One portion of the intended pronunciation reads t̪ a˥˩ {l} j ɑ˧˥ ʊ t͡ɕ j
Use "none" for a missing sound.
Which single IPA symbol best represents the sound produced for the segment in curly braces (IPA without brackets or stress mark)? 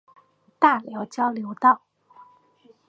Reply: l